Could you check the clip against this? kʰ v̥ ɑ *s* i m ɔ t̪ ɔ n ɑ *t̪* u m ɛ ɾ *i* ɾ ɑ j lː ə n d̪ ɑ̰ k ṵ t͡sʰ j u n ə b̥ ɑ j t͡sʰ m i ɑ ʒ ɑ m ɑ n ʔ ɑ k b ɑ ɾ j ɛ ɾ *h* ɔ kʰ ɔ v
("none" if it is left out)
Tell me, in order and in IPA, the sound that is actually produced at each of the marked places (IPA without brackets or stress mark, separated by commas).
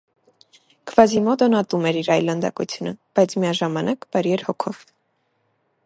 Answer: z, t̪, i, h